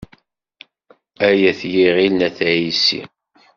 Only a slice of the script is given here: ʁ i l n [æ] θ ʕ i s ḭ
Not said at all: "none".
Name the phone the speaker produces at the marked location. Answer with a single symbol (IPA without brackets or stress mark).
æ